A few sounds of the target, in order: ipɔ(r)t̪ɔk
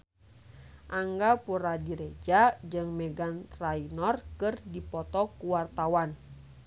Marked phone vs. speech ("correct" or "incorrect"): incorrect